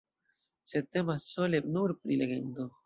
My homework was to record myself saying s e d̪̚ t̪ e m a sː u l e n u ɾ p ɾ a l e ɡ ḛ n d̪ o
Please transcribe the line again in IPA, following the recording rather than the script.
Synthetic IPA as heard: s e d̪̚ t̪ e m a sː o l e n u ɾ p ɾ i l e ɡ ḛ n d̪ o